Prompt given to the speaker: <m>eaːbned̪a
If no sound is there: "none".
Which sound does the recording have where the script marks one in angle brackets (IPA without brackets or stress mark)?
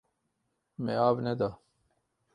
m